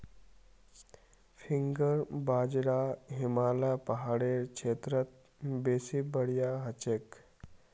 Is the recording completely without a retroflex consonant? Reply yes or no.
no